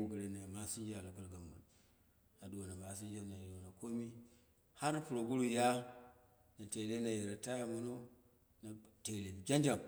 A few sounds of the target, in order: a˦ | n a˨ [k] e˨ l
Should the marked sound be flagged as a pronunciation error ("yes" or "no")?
yes